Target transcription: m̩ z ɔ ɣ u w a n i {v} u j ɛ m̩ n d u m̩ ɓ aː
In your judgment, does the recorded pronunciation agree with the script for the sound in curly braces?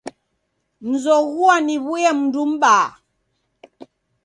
no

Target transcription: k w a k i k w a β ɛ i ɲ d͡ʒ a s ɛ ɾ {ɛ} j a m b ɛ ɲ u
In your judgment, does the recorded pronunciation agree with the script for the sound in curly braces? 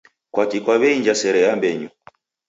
yes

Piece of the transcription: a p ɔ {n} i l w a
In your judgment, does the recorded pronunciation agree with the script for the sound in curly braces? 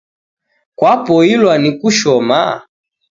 no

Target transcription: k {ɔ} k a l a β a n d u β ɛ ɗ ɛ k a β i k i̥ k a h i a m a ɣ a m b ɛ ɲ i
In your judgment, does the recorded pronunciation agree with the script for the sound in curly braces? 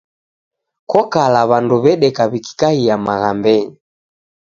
yes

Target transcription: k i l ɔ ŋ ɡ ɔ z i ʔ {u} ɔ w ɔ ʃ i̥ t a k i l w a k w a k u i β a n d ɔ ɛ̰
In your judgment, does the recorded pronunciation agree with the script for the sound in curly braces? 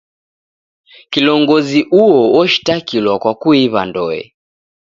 yes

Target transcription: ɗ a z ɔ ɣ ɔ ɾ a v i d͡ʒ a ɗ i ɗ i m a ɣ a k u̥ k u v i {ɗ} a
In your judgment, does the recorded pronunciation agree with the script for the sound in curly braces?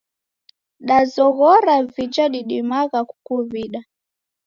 yes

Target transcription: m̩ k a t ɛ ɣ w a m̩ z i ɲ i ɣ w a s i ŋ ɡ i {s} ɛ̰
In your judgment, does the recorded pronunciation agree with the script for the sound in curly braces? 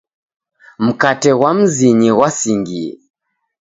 no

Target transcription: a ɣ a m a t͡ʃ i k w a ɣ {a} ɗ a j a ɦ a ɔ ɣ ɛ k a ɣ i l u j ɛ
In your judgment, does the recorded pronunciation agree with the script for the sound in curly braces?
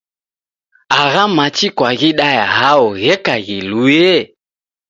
no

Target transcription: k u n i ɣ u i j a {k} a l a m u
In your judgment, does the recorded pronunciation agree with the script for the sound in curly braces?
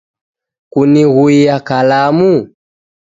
yes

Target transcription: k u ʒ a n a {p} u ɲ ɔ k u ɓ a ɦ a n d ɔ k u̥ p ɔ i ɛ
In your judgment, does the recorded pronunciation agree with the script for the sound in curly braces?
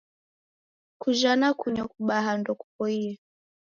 no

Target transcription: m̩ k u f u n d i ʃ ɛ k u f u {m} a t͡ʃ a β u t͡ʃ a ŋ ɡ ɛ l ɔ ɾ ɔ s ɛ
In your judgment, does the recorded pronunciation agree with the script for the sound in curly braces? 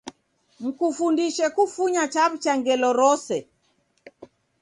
no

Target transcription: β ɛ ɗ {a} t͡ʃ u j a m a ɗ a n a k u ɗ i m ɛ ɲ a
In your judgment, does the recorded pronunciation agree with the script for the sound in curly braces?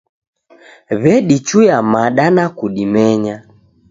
no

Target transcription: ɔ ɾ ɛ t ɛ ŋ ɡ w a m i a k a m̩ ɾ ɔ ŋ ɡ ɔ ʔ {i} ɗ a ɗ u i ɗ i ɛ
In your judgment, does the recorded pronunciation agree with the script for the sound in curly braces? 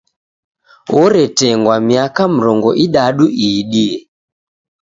yes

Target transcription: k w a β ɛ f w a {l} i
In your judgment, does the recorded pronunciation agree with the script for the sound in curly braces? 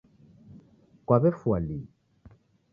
yes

